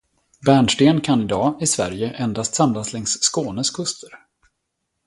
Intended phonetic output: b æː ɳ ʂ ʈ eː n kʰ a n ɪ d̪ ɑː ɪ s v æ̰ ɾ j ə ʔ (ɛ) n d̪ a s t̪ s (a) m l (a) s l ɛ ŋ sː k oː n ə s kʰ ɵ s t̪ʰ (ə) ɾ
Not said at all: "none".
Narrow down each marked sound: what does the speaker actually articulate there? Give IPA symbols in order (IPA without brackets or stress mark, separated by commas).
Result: ɛ, a, a, ə